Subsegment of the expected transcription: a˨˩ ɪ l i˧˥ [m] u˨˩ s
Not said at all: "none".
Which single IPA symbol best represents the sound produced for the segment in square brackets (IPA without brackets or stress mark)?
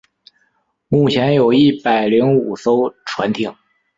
ŋ